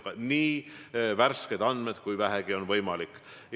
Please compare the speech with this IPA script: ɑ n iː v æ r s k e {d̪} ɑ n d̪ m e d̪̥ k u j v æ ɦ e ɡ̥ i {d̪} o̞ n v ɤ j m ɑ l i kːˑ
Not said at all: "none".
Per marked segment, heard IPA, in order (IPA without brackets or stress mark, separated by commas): d̪, none